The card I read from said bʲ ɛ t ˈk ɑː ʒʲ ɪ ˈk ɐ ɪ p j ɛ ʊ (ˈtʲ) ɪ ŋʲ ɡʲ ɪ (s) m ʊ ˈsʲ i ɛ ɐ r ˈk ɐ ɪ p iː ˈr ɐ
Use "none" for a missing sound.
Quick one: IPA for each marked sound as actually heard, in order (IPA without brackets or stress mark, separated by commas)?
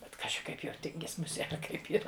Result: tʲ, s